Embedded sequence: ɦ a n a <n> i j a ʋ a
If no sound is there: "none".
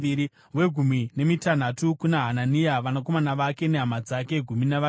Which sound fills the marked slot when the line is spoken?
n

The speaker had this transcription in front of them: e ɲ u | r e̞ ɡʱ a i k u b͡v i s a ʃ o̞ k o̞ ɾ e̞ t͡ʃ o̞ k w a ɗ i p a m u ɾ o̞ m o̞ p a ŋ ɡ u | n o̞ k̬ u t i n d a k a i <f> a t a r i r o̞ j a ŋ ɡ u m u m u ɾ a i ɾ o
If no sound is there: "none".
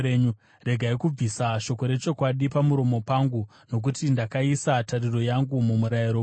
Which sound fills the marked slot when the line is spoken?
s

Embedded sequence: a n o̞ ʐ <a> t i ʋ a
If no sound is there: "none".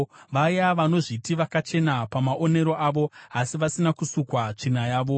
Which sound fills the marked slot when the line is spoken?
i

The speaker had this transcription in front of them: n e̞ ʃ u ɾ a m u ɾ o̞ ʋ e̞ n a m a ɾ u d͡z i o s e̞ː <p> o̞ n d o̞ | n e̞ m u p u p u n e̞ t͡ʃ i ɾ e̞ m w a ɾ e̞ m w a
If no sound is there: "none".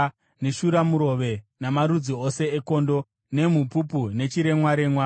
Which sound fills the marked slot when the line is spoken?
k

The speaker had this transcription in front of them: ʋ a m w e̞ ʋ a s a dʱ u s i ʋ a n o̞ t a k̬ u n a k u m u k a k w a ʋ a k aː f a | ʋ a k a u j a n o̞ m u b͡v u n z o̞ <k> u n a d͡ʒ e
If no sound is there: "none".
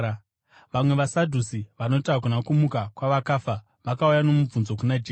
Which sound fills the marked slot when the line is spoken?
k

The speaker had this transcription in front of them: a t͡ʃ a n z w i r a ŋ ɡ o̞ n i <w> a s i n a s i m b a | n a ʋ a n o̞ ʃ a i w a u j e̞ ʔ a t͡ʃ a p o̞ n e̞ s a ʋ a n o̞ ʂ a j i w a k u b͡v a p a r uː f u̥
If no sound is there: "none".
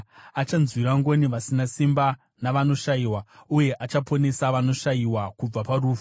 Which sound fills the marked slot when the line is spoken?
ʋ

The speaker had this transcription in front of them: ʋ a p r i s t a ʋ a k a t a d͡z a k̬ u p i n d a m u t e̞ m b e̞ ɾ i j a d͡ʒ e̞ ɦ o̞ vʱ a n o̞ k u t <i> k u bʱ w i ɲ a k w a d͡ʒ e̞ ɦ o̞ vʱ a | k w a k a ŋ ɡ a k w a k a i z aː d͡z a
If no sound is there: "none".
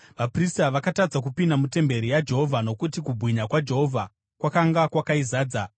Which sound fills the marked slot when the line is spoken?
i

